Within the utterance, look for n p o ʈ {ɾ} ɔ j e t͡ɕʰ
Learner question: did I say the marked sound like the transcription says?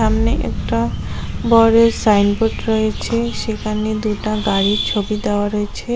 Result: yes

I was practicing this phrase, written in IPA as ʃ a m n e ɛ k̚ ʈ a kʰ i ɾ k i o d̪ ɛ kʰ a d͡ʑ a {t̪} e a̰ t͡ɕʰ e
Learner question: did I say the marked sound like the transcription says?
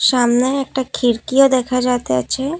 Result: yes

